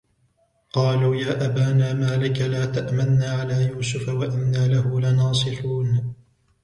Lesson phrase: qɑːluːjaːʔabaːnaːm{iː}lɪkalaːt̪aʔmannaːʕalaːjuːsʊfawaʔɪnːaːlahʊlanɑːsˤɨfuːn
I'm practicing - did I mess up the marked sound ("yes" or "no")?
yes